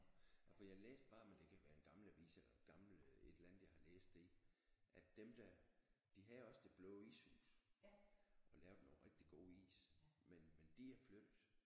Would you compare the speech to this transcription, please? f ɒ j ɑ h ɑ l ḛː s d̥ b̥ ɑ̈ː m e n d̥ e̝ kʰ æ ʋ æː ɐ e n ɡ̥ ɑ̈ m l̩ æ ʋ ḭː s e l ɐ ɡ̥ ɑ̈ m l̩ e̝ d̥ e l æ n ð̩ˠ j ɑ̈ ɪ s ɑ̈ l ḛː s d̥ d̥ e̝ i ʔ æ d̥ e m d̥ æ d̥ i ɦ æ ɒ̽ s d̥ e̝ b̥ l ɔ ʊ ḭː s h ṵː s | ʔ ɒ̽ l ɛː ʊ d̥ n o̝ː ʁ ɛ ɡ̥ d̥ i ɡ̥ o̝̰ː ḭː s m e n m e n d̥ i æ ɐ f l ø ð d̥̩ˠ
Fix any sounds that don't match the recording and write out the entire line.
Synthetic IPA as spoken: f ɒ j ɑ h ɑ l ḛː s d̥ b̥ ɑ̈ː m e n d̥ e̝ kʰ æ ʋ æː ɐ e n ɡ̥ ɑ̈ m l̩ æ ʋ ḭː s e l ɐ ɡ̥ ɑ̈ m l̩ e̝ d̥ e l æ n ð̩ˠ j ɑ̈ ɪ h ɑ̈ l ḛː s d̥ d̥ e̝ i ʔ æ d̥ e m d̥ æ d̥ i ɦ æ ɒ̽ s d̥ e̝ b̥ l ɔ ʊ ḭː s h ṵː s | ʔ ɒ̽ l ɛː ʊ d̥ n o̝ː ʁ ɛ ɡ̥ d̥ i ɡ̥ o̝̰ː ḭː s m e n m e n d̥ i æ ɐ f l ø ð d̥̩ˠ

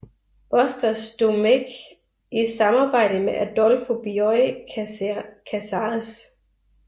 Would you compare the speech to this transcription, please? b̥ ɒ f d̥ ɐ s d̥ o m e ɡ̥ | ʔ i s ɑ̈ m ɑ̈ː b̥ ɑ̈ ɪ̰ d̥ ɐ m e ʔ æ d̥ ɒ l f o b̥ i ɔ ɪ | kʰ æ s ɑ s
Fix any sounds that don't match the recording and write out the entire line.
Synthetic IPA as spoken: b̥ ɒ s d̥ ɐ s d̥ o m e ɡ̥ | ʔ i s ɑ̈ m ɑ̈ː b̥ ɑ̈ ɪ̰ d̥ ə m e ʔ æ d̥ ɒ l f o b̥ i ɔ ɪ | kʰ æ s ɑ s

